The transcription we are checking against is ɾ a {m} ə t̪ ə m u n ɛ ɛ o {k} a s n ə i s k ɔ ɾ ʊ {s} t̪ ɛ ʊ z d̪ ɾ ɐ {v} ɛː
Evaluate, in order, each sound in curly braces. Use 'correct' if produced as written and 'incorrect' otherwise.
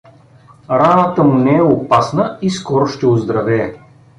incorrect: n, incorrect: p, incorrect: ʃ, correct

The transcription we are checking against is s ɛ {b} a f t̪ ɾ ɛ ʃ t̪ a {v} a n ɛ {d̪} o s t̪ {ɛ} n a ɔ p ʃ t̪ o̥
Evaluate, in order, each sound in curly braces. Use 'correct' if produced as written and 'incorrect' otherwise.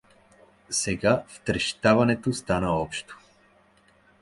incorrect: ɡ, correct, incorrect: t̪, incorrect: a

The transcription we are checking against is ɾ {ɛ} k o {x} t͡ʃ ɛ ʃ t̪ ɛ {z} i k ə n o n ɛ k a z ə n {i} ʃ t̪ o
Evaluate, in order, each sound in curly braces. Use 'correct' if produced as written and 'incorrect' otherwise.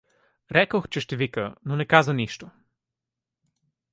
correct, correct, incorrect: v, correct

